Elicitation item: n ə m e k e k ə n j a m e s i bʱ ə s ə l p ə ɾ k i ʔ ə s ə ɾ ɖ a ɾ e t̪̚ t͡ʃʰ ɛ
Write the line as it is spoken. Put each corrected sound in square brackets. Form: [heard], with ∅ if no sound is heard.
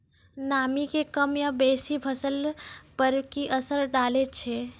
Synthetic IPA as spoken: n [a] m [i] k e k ə [m] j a [b] e s i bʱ ə s ə l p ə ɾ k i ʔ ə s ə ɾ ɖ a [l] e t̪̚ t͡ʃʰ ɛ

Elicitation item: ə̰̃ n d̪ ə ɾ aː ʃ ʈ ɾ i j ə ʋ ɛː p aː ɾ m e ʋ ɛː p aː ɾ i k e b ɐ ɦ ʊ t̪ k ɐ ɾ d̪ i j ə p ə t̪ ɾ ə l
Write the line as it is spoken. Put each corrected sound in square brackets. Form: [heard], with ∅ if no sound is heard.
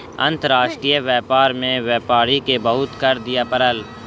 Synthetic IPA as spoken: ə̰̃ n [t̪] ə ɾ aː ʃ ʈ ɾ i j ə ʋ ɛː p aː ɾ m [ẽ] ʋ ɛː p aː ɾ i k e b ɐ ɦ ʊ t̪ k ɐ ɾ d̪ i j [a] p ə [∅] ɾ ə l

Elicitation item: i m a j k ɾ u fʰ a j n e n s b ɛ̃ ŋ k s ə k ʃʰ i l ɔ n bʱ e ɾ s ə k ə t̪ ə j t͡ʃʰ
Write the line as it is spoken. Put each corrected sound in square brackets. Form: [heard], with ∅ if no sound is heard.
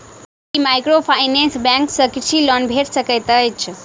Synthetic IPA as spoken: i m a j k ɾ [o] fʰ a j n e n s b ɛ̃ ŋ k s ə k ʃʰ i l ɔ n bʱ e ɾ s ə k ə t̪ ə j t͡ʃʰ

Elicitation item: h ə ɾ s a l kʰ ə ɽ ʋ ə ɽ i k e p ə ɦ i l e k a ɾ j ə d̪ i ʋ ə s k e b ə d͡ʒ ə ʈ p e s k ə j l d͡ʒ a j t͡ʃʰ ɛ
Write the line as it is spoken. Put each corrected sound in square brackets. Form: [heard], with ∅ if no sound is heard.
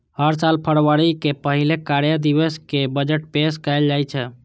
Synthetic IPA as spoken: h ə ɾ s a l [pʰ] ə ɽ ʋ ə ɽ i k e p ə ɦ i l e k a ɾ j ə d̪ i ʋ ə s k e b ə d͡ʒ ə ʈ p e s k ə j l d͡ʒ a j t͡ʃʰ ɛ

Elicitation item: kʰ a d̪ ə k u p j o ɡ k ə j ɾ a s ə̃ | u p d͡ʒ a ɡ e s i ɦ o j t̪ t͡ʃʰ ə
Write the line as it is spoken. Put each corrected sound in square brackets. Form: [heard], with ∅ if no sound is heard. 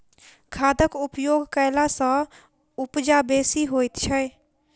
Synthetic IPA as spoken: kʰ a d̪ ə k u p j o ɡ k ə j [l] a s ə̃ | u p d͡ʒ a [b] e s i ɦ o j t̪ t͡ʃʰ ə

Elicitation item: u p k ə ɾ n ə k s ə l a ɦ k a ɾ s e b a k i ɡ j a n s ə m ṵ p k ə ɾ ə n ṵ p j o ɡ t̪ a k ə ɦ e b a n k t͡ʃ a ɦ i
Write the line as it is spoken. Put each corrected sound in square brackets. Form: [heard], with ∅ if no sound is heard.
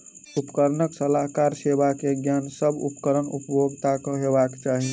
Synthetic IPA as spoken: u p k ə ɾ n ə k s ə l a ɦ k a ɾ s e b a k [e] ɡ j a n s ə [b] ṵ p k ə ɾ ə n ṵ p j o ɡ t̪ a k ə ɦ e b a [∅] k t͡ʃ a ɦ i

